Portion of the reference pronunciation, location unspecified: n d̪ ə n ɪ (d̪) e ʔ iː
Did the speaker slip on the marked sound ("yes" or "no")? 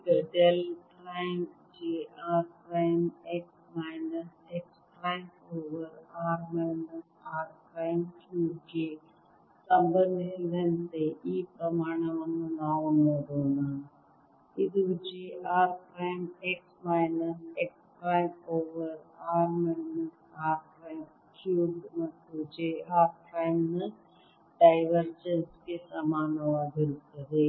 yes